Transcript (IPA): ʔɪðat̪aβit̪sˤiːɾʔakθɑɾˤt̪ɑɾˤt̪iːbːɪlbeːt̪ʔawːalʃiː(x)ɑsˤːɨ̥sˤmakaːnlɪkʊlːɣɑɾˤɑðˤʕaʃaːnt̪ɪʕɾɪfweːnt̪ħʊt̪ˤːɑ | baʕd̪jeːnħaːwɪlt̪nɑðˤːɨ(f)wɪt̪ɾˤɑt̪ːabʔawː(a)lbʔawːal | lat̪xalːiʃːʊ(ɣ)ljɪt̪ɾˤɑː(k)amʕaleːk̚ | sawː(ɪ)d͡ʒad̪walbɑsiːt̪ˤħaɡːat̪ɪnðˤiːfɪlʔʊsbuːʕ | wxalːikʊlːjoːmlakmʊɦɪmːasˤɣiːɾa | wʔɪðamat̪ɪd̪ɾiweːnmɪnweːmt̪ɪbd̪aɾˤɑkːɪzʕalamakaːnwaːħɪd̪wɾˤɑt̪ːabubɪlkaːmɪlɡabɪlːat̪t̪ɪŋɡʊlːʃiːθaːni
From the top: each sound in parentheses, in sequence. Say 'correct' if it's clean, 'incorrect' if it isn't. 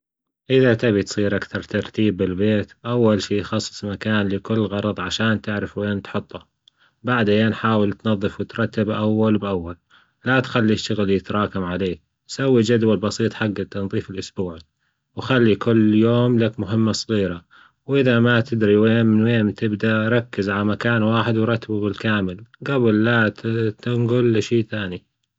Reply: correct, correct, correct, correct, correct, incorrect

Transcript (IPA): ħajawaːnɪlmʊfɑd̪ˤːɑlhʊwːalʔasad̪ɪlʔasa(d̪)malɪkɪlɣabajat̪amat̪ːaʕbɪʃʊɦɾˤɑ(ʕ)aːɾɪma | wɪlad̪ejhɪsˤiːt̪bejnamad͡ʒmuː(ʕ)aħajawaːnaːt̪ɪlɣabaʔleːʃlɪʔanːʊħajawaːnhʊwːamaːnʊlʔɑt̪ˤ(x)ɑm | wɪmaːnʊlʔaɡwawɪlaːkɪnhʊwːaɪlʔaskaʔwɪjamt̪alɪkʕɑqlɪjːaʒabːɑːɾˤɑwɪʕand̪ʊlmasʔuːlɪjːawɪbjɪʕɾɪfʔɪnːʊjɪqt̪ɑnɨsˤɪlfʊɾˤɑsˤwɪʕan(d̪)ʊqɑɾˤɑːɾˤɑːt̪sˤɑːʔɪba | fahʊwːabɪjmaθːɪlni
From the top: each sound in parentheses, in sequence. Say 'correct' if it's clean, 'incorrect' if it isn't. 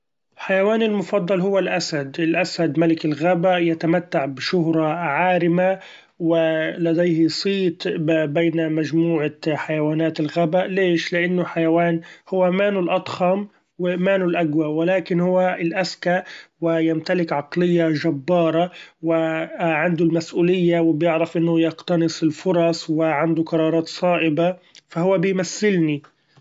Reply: correct, correct, correct, correct, correct

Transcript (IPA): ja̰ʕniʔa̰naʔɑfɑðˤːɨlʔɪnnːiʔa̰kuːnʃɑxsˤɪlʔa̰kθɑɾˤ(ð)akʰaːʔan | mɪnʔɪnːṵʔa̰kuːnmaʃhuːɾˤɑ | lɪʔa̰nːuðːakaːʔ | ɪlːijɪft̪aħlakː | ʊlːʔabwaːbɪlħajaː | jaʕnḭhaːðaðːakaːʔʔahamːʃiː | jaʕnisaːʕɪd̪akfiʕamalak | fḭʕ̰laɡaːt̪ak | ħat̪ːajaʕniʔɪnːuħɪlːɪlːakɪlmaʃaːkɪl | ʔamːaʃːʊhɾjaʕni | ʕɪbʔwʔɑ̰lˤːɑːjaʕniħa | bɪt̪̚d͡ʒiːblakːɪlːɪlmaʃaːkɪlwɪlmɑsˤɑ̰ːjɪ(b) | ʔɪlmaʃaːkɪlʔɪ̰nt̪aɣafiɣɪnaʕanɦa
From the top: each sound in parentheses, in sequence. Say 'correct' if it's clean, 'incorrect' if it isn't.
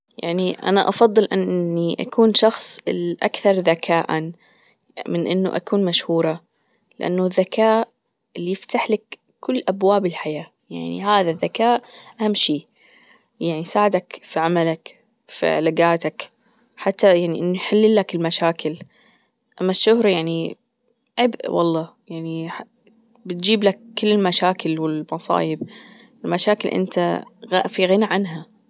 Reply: correct, correct

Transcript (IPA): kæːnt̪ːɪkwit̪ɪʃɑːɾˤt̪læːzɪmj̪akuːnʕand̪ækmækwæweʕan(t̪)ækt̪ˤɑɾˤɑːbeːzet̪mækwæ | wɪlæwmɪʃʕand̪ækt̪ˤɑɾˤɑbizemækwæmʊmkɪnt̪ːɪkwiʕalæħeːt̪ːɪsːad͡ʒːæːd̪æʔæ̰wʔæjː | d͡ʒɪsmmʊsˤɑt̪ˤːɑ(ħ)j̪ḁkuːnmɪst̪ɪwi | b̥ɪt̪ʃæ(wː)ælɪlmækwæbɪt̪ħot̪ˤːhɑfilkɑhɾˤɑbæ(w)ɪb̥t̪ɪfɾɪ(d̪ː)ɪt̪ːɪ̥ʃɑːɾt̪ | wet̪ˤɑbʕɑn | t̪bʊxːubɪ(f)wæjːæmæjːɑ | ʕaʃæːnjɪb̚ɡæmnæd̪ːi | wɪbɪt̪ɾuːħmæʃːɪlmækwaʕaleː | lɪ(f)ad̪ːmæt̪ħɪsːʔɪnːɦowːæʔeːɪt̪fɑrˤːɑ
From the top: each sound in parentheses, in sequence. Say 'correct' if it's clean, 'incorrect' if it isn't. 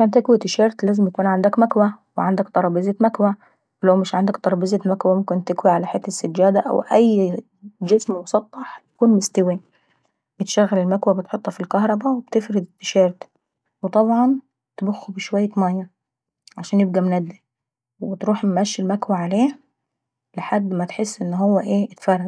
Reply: incorrect, correct, incorrect, correct, incorrect, incorrect, incorrect

